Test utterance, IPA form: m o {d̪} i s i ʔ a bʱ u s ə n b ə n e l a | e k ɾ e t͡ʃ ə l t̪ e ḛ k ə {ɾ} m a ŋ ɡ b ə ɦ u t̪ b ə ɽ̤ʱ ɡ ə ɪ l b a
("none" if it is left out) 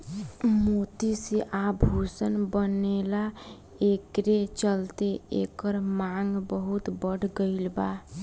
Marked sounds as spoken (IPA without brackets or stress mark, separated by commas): t̪, ɾ